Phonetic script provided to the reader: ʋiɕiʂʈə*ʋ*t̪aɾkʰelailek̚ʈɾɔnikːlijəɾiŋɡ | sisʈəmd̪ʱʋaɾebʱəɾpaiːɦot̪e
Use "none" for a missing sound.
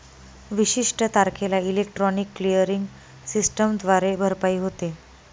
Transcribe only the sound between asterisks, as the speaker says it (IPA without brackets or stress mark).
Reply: none